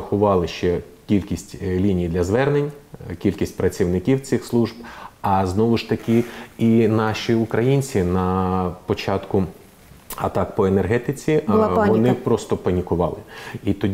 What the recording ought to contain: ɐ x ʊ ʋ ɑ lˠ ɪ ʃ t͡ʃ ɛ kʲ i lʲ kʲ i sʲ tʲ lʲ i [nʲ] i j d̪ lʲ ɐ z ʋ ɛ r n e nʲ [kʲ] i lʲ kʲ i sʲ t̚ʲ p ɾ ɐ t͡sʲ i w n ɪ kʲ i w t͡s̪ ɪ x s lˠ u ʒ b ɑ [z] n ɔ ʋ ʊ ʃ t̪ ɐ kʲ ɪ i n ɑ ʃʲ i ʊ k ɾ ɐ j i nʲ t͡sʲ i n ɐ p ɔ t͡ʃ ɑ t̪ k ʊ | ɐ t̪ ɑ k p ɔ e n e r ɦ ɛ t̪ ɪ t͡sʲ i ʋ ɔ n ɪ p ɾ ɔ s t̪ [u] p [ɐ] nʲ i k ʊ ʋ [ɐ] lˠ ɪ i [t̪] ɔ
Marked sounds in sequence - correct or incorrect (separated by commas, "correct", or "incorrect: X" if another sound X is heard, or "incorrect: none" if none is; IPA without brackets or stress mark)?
correct, correct, correct, incorrect: ɔ, correct, incorrect: ɑ, correct